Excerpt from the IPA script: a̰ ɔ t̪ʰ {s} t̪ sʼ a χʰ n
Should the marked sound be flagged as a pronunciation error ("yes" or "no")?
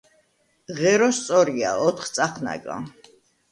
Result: yes